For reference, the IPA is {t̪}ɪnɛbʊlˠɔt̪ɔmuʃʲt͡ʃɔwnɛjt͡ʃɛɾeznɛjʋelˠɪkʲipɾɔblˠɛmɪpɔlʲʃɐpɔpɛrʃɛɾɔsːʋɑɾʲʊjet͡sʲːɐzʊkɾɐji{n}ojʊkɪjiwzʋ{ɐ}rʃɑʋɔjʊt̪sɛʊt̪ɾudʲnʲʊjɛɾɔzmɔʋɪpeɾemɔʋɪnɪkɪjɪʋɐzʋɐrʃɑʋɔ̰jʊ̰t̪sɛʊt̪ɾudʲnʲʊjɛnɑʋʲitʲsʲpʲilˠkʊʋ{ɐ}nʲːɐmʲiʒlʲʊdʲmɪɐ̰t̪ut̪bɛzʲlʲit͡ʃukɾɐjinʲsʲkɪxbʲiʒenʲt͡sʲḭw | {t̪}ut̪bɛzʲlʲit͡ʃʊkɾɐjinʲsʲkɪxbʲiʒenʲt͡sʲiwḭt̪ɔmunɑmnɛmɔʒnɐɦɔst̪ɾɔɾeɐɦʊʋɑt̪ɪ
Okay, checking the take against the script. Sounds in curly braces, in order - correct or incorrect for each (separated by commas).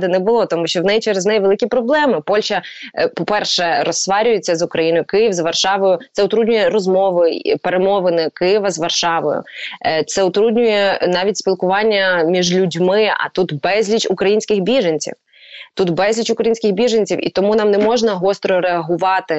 incorrect, correct, correct, incorrect, correct